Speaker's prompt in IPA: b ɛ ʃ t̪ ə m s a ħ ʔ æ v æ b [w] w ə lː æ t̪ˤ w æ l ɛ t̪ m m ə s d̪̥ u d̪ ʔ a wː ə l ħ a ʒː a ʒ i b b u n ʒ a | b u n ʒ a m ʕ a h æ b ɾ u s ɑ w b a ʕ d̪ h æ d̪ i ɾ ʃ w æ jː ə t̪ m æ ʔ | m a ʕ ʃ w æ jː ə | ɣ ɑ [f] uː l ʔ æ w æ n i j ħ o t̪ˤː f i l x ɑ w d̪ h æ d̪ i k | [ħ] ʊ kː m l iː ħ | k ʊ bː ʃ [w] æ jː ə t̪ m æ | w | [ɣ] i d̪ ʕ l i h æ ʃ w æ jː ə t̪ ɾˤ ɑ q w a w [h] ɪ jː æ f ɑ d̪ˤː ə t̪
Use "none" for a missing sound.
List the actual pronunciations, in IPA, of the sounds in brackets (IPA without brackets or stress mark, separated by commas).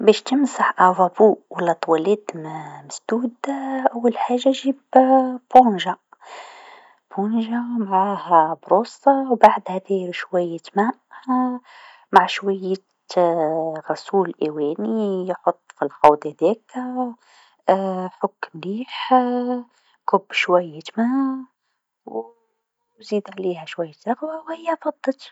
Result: u, s, ħ, w, z, h